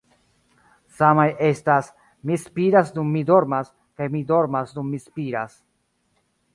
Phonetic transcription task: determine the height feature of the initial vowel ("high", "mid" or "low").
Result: low